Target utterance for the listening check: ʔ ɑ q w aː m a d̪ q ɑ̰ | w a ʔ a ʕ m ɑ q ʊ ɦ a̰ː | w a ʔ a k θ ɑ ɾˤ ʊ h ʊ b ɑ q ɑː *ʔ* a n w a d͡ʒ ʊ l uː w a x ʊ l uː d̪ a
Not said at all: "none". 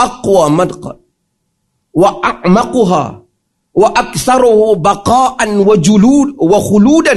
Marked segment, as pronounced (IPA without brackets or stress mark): ʔ